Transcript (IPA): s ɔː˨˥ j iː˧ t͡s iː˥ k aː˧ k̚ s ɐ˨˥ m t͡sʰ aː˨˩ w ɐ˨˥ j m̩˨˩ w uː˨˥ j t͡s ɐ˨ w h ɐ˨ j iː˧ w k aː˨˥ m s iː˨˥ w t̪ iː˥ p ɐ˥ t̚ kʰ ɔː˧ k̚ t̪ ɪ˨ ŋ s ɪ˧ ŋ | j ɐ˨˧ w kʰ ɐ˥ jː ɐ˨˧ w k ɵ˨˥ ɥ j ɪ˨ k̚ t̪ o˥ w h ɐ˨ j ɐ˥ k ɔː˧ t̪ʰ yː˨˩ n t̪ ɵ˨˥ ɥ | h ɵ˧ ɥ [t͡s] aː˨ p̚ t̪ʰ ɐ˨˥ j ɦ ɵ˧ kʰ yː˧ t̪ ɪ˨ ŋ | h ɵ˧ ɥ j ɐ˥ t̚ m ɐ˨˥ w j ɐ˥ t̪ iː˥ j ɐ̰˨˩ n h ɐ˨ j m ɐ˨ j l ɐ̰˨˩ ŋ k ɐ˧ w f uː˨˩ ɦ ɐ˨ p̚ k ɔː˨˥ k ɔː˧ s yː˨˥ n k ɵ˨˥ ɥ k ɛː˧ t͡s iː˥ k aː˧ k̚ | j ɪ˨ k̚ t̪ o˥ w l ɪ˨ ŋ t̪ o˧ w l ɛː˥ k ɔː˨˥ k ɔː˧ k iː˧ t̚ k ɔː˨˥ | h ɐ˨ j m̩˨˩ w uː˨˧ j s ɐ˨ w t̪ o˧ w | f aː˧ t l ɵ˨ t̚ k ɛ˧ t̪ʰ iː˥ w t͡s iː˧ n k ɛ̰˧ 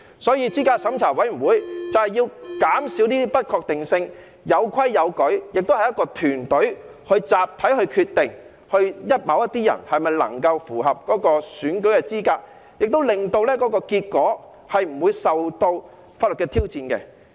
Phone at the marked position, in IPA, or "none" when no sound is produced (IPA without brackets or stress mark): t͡s